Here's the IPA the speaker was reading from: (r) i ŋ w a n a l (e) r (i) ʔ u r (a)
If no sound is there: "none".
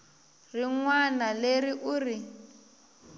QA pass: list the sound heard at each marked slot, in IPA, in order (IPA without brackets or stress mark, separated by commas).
r, e, i, i